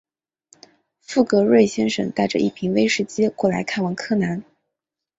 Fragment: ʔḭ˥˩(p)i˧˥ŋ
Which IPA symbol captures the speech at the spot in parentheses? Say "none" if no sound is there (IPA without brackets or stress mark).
pʰ